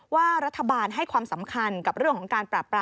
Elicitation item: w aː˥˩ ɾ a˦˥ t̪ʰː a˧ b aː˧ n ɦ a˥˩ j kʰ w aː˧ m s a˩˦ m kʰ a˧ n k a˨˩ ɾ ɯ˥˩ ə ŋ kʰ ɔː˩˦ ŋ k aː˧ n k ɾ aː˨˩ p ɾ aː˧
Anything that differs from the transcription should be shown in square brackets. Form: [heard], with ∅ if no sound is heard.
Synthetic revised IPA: w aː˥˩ ɾ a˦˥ t̪ʰː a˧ b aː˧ n ɦ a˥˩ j kʰ w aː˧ m s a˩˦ m kʰ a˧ n k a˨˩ ɾ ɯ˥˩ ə ŋ kʰ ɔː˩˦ ŋ k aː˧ n [p] ɾ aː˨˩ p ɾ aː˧